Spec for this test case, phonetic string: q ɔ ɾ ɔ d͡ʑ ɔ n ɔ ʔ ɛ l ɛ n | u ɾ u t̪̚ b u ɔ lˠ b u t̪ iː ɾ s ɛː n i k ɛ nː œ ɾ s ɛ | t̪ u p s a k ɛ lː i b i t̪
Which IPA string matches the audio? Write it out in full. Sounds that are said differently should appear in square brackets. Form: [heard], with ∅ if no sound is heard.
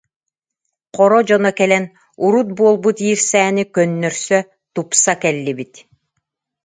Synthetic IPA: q ɔ ɾ ɔ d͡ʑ ɔ n ɔ [k] ɛ l ɛ n | u ɾ u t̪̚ b u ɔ lˠ b u t̪ iː ɾ s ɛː n i k [œ] nː œ ɾ s [œ] | t̪ u p s a k ɛ lː i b i t̪